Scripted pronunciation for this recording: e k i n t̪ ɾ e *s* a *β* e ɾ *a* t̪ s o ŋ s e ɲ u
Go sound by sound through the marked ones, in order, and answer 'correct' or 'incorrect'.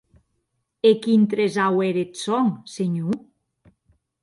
incorrect: z, incorrect: w, incorrect: e

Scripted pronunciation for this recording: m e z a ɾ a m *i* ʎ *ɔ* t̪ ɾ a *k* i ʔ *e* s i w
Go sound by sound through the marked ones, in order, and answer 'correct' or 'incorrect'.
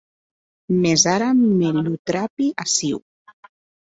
incorrect: e, incorrect: u, incorrect: p, incorrect: a

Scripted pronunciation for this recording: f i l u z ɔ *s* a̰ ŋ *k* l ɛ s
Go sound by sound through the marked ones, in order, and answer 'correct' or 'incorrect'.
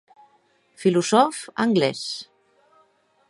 incorrect: f, incorrect: ɡ

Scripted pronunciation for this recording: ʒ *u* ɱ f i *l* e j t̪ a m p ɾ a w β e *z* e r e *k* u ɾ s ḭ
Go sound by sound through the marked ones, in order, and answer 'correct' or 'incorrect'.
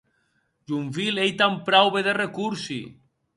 correct, correct, incorrect: ð, correct

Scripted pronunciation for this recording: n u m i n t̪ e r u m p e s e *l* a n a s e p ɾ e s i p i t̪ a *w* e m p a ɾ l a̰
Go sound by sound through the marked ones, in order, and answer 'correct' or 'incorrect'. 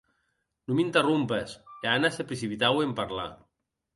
incorrect: none, correct

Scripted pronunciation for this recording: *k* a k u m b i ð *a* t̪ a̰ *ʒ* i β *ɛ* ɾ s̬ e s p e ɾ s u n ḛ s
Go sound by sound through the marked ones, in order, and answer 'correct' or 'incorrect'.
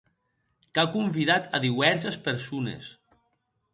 correct, correct, incorrect: ð, correct

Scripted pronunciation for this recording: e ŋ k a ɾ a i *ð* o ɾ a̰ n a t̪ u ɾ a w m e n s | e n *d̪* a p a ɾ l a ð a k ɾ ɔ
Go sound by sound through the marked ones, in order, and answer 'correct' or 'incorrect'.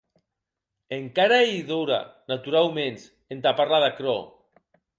correct, incorrect: t̪

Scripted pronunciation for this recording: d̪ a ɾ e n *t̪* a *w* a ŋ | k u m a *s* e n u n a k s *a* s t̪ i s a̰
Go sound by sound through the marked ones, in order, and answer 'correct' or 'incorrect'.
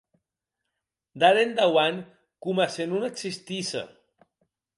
incorrect: d̪, correct, correct, incorrect: i

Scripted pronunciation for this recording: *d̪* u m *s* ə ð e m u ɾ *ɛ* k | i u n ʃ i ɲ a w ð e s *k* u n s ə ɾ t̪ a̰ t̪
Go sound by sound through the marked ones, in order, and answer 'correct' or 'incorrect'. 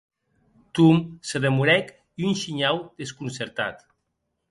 incorrect: t̪, correct, correct, correct

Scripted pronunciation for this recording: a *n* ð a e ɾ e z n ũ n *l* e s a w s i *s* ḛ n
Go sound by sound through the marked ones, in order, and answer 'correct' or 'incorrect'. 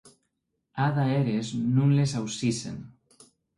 incorrect: none, correct, correct

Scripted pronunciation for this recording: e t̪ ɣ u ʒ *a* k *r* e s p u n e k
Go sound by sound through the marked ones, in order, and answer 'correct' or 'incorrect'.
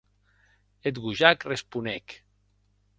correct, correct

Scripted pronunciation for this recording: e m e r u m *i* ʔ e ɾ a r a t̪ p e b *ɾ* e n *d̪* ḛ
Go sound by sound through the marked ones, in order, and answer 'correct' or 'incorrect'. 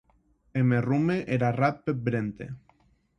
incorrect: e, correct, incorrect: t̪

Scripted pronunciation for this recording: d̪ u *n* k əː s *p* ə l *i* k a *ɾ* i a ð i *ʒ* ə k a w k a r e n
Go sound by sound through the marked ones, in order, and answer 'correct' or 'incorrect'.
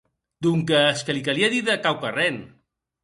incorrect: ŋ, incorrect: k, correct, incorrect: l, incorrect: ð

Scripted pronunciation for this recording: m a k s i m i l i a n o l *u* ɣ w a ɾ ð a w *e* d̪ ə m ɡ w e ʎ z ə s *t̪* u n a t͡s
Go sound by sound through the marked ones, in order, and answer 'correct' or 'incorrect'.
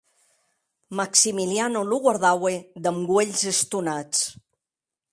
correct, correct, correct

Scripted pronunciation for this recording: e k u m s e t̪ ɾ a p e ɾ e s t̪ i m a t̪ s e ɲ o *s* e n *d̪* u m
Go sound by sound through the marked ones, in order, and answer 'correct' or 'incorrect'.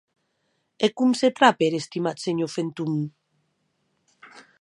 incorrect: f, incorrect: t̪

